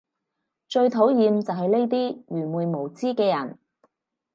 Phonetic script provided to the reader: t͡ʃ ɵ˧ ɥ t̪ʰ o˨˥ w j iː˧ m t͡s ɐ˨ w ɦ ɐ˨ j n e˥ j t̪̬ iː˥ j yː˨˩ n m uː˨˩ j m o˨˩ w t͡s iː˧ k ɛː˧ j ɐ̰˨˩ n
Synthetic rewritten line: t͡ʃ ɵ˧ ɥ t̪ʰ o˨˥ w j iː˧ m t͡s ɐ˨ w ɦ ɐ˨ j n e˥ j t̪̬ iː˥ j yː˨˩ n m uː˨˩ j m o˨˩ w t͡s iː˥ k ɛː˧ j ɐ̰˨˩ n